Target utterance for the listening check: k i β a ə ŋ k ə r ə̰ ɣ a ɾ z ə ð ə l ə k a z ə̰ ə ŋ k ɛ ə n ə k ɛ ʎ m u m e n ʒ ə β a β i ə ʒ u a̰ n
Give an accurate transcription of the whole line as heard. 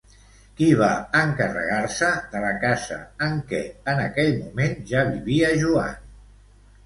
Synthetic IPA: k i β a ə ŋ k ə r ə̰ ɣ a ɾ s ə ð ə l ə k a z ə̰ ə ŋ k ɛ ə n ə k ɛ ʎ m u m e n ʒ a β i β i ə ʒ u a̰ n